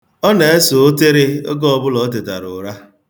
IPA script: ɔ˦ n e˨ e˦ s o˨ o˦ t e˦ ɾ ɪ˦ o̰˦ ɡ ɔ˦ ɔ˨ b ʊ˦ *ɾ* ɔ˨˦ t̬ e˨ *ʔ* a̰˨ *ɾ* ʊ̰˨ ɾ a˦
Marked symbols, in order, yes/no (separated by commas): no, no, yes